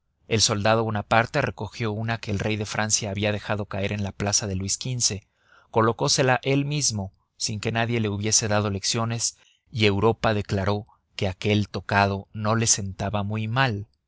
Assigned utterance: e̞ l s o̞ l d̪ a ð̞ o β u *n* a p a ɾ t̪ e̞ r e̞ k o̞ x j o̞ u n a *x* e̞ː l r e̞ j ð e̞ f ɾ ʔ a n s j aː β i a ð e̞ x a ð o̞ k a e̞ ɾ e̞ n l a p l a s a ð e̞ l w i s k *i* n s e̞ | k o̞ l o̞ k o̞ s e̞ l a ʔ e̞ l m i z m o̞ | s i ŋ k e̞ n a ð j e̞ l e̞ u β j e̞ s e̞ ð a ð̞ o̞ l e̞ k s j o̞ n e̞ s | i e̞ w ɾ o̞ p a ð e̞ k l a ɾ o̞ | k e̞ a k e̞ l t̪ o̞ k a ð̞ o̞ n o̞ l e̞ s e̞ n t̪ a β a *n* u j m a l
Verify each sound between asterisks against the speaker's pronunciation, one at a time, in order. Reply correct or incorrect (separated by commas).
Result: correct, incorrect, correct, incorrect